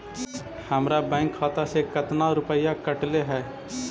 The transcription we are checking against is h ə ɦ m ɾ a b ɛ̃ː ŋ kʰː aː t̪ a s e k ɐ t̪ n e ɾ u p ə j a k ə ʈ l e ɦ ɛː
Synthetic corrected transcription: h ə m ɾ a b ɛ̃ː ŋ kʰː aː t̪ a s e k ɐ t̪ n a ɾ ʊ p ə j a k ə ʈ l e ɦ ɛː